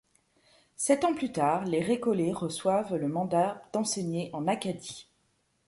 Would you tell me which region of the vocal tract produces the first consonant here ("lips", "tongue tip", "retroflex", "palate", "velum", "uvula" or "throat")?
tongue tip